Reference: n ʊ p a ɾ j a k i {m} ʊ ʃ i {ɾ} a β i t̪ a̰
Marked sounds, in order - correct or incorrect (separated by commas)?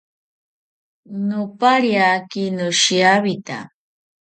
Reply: incorrect, incorrect